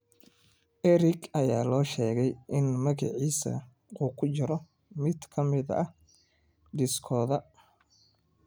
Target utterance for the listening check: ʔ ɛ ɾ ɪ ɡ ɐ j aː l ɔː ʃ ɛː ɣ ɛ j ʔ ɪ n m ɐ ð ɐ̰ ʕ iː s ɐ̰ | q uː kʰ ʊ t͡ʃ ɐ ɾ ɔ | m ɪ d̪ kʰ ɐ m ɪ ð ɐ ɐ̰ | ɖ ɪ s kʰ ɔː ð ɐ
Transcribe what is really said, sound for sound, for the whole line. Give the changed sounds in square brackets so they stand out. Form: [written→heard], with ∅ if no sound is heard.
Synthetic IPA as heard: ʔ ɛ ɾ ɪ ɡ ɐ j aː l ɔː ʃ ɛː ɣ ɛ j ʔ ɪ n m ɐ [ð→ɣ] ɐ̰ ʕ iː s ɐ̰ | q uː kʰ ʊ t͡ʃ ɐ ɾ ɔ | m ɪ d̪ kʰ ɐ m ɪ ð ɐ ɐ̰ | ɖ ɪ s kʰ ɔː ð ɐ